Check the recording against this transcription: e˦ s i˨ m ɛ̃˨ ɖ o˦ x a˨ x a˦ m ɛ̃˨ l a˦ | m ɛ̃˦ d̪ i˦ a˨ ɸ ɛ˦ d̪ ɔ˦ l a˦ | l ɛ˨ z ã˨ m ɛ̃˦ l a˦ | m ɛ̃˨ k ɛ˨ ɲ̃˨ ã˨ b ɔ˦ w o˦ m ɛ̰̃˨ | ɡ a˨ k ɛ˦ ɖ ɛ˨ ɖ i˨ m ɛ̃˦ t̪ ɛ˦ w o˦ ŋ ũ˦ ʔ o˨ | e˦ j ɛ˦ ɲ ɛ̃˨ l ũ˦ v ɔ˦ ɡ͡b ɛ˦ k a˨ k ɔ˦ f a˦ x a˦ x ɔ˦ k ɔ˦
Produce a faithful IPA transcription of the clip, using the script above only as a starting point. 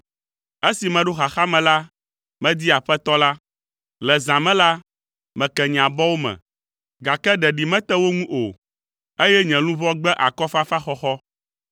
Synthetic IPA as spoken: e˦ s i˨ m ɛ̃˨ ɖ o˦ x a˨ x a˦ m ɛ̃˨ l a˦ | m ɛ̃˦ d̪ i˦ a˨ ɸ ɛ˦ t̪ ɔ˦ l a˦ | l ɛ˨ z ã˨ m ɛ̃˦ l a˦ | m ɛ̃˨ k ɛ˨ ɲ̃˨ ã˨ b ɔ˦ w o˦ m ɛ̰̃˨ | ɡ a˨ k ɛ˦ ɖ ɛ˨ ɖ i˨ m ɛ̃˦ t̪ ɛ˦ w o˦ ŋ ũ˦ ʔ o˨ | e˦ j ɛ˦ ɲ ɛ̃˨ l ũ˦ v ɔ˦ ɡ͡b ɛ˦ ʔ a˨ k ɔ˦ f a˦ f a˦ x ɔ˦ x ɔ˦